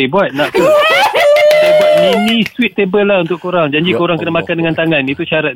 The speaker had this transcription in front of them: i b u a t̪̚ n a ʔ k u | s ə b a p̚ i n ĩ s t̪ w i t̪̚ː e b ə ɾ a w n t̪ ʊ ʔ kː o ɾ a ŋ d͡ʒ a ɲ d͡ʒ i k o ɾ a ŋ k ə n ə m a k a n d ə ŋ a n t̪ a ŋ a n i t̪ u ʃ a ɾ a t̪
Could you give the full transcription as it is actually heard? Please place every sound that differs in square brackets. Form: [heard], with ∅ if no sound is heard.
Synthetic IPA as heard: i b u a t̪̚ n a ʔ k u | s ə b a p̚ i n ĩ s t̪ w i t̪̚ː e b ə [l] a [u] n t̪ ʊ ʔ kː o ɾ a ŋ d͡ʒ a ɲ d͡ʒ i k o ɾ a ŋ k ə n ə m a k a n d ə ŋ a n t̪ a ŋ a n i t̪ u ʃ a ɾ a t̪